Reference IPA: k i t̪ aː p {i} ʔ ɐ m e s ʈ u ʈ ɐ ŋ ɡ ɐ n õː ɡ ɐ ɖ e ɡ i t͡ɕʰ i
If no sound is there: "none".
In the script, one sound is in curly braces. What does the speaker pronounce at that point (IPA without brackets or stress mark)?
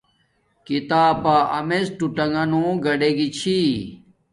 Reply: a